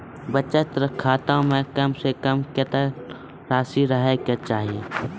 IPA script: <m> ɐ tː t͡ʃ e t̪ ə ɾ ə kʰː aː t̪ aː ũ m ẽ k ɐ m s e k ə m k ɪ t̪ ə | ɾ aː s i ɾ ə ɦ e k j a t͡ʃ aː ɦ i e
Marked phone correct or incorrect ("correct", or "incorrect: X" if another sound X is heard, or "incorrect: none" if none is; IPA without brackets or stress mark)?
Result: incorrect: b